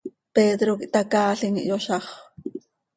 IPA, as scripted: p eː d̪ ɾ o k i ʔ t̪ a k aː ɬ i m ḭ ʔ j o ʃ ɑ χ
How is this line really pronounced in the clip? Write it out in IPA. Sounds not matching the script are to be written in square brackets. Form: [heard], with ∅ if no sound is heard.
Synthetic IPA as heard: p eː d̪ ɾ o k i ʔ t̪ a k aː ɬ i [ŋ] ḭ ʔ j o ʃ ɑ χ